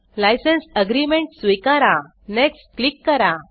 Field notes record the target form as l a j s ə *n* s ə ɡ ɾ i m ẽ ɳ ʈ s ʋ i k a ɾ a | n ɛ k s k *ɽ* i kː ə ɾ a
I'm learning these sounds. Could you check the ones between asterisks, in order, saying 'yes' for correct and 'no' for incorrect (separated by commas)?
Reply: yes, no